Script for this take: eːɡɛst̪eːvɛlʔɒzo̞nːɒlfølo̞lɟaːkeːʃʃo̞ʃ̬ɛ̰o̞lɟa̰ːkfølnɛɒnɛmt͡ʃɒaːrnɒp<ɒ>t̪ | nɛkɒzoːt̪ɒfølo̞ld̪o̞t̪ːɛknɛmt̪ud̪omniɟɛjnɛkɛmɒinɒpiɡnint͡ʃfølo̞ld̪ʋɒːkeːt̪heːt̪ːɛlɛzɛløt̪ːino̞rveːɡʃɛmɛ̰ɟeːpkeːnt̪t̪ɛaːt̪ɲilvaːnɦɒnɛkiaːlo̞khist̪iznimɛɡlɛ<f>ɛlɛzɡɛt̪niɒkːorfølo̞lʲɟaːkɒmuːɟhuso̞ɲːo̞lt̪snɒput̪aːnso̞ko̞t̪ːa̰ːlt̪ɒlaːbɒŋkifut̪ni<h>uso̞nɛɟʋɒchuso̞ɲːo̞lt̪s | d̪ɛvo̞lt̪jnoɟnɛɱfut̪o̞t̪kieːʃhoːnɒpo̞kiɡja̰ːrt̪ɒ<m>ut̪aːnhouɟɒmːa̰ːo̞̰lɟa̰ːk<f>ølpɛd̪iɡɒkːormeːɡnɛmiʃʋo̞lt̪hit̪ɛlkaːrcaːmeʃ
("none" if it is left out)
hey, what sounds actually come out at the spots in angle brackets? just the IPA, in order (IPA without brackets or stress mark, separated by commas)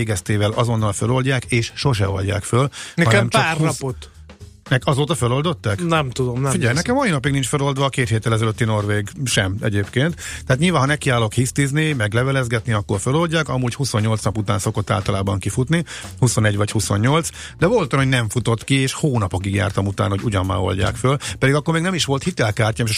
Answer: o, v, h, m, f